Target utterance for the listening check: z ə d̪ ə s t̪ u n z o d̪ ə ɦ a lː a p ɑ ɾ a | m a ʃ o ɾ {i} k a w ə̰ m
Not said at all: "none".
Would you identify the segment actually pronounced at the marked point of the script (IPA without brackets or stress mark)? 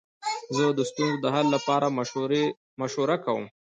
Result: a